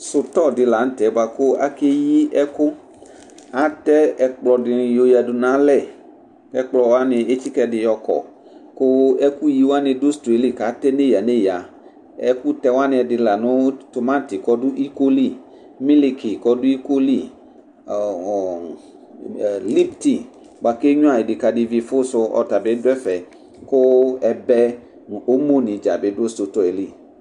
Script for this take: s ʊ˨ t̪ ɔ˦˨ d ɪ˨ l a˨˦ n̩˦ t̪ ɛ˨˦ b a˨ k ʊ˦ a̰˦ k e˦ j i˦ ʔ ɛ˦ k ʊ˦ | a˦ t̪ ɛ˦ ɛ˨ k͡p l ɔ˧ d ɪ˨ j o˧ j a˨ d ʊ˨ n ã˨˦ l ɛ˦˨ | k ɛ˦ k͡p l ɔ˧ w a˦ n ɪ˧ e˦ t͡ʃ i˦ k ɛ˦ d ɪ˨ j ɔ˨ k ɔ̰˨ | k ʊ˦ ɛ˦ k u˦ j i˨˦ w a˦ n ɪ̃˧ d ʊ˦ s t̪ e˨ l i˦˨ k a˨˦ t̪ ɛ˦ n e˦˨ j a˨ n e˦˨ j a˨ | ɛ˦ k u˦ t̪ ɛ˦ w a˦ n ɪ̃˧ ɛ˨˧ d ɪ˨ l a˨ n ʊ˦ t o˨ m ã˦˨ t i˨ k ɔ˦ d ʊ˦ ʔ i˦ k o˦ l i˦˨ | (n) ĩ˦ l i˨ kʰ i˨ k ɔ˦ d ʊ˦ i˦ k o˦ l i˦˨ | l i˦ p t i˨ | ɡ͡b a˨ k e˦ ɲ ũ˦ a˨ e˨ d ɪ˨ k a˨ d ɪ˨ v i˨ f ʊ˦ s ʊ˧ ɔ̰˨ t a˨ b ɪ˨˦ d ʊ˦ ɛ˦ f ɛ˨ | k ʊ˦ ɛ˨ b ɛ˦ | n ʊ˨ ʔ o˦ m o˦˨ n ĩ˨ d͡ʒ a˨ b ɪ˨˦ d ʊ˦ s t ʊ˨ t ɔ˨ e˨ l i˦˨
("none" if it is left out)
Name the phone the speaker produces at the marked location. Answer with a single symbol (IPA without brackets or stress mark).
m